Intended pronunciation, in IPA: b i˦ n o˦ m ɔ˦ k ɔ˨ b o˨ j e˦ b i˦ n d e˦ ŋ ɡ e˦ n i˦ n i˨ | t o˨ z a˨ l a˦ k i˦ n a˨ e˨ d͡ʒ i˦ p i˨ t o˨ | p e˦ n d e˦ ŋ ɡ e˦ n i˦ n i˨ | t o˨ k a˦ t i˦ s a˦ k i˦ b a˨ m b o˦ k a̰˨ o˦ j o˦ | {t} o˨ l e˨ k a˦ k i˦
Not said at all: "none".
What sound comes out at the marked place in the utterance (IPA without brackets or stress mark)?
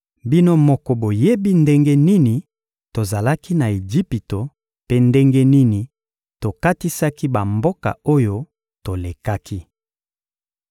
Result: t